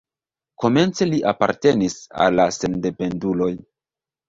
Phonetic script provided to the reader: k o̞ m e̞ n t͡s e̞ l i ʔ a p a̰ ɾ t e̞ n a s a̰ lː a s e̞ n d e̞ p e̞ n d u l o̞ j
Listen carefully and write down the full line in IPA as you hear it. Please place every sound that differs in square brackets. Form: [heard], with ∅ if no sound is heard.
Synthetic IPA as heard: k o̞ m e̞ n t͡s e̞ l i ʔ a p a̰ ɾ t e̞ n [i] s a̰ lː a s e̞ n d e̞ p e̞ n d u l o̞ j